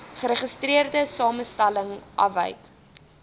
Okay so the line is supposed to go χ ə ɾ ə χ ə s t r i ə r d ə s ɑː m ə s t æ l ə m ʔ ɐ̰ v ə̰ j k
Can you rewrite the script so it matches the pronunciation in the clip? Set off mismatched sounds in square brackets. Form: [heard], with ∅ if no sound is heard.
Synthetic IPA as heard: χ ə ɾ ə χ ə s t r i ə r d ə s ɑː m ə s t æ l ə [ŋ] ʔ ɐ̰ v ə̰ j k